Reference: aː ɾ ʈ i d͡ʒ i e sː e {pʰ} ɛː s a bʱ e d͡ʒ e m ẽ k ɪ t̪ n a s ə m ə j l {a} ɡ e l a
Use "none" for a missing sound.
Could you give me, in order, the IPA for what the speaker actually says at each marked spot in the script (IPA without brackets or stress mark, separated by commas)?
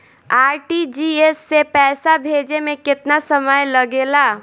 p, ə